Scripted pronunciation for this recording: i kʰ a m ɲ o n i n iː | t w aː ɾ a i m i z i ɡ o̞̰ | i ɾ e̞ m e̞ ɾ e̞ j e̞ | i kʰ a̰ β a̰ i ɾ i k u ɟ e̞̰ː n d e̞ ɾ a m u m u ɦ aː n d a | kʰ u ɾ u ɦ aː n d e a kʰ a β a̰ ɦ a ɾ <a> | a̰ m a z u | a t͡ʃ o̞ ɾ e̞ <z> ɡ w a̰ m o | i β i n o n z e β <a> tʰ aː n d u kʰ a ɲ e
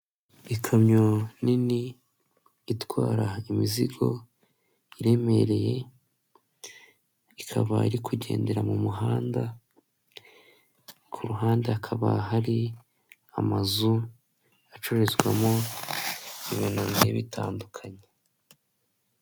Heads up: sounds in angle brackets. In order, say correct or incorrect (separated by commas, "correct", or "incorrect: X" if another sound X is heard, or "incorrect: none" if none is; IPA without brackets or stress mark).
incorrect: i, correct, incorrect: i